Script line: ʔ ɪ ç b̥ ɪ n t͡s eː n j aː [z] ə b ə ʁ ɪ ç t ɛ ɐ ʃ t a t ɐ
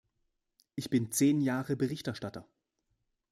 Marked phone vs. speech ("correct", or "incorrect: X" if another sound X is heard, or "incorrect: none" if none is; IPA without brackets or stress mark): incorrect: ʁ